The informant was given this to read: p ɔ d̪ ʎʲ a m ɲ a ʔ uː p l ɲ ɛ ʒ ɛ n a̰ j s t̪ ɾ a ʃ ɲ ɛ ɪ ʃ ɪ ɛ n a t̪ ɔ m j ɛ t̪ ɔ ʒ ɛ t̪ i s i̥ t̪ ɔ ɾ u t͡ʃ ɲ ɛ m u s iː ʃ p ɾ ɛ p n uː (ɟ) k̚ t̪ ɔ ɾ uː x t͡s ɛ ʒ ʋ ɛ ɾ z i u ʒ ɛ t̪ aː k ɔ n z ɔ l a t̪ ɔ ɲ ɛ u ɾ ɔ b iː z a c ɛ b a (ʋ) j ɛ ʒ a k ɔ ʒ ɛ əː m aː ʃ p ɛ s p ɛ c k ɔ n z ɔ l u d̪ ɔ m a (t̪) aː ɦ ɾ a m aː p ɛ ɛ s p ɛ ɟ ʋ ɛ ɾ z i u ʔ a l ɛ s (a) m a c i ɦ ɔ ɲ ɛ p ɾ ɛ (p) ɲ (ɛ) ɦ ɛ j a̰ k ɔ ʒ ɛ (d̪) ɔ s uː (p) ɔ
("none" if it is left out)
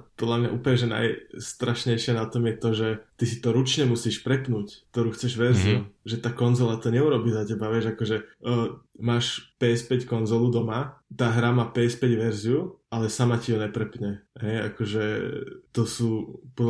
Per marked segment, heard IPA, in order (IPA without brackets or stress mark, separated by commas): c, ʋ, t̪, a, p, ɛ, t̪, p